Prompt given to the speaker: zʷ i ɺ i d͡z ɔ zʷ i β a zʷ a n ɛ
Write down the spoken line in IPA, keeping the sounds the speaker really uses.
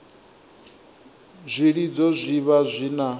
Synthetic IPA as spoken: zʷ i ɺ i d͡z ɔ zʷ i β a zʷ i n a